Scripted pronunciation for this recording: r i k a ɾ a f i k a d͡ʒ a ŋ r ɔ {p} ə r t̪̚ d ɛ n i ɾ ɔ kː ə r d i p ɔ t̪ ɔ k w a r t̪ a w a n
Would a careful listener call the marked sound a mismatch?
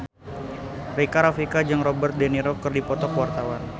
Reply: yes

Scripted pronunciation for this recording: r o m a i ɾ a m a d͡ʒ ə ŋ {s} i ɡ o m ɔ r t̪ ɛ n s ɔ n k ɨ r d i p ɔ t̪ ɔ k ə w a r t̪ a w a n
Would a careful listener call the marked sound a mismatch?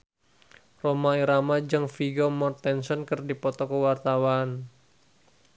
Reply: yes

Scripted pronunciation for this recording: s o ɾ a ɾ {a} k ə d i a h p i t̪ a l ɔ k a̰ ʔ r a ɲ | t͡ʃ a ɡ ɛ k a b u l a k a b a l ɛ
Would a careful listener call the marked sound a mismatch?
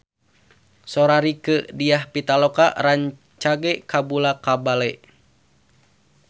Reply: yes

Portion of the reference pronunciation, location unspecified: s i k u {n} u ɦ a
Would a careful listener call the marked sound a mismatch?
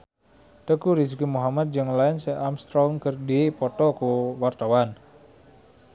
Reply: yes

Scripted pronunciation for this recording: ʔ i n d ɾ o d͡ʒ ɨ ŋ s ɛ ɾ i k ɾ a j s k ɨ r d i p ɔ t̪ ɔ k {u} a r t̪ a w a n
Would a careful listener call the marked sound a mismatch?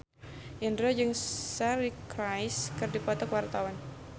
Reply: yes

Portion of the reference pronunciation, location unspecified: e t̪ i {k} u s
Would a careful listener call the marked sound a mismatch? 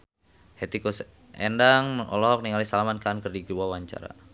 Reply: no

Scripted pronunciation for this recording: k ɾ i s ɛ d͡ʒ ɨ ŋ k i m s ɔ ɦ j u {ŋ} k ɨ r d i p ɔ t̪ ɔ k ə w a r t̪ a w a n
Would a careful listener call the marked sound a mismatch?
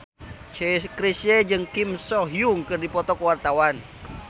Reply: no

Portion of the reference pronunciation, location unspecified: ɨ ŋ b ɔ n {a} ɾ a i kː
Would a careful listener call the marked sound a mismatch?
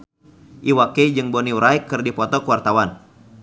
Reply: yes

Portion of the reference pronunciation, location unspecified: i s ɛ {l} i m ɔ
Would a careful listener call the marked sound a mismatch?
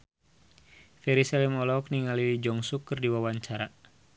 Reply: no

